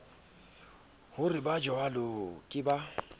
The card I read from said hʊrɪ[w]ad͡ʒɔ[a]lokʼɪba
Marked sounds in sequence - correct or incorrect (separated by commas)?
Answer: incorrect, correct